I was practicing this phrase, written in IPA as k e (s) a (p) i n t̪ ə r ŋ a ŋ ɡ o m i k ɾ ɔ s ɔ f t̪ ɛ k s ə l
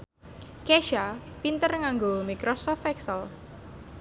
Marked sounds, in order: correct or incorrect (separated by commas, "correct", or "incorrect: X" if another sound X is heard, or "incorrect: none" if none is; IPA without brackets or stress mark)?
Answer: incorrect: ʃ, correct